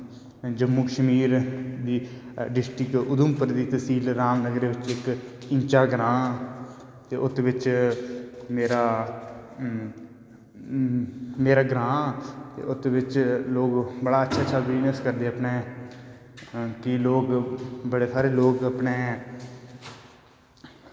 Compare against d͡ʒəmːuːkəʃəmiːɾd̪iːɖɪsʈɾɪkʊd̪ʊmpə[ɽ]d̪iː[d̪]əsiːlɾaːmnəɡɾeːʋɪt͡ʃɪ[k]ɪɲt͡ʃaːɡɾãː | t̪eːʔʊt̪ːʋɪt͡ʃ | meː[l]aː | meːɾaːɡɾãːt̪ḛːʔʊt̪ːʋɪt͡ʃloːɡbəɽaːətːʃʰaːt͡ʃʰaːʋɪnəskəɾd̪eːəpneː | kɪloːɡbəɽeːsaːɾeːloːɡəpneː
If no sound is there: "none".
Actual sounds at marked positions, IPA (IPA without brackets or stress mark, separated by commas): ɾ, t̪, k, ɾ